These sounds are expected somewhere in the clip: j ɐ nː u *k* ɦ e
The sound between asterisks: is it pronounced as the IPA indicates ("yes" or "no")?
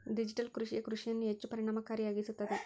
no